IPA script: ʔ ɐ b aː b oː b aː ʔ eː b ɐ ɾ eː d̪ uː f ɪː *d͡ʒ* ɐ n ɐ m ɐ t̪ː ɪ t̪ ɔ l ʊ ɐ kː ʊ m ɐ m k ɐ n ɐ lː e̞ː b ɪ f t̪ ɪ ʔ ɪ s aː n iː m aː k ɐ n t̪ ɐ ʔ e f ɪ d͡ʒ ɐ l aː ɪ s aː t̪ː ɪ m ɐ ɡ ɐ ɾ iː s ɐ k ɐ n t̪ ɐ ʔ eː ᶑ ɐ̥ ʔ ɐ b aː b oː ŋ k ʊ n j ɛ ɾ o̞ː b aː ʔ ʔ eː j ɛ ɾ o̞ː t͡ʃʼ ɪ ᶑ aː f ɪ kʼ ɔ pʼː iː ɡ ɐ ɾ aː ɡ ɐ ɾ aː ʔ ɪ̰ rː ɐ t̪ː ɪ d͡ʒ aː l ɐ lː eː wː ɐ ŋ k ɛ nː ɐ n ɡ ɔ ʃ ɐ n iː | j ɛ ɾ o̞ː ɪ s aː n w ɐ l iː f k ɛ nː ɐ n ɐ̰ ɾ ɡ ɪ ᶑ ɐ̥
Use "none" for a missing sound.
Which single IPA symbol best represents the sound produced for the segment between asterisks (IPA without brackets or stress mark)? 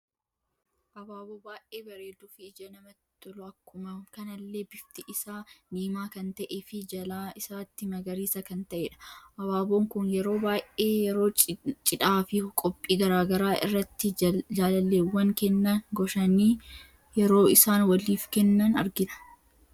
d͡ʒ